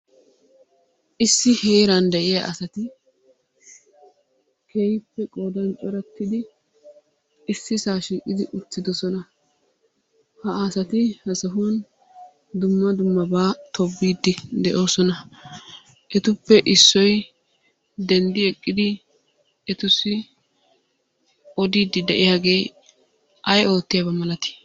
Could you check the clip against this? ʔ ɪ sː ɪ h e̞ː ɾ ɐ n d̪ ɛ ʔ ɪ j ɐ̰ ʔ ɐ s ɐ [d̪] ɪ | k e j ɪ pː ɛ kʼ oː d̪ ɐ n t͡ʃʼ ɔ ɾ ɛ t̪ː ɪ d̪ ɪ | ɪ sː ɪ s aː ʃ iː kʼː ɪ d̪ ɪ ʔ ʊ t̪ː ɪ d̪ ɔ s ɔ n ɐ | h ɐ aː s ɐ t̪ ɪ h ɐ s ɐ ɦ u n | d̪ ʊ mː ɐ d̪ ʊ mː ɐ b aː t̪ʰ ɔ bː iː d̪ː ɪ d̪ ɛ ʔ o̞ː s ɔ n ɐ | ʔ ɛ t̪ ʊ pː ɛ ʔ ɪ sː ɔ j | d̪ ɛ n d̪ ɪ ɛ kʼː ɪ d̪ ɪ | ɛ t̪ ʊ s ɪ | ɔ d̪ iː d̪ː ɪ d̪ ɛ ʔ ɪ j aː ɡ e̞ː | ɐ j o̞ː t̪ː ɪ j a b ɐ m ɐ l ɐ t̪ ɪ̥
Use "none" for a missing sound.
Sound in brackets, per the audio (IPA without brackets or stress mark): t̪